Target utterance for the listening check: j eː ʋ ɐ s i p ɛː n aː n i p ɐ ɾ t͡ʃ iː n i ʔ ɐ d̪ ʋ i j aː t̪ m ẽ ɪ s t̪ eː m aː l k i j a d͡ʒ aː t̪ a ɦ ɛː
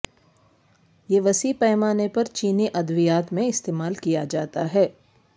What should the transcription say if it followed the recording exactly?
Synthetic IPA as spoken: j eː ʋ ɐ s i p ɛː m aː n e p ɐ ɾ t͡ʃ iː n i ʔ ɐ d̪ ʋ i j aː t̪ m ẽ ɪ s t̪ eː m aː l k i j a d͡ʒ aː t̪ a ɦ ɛː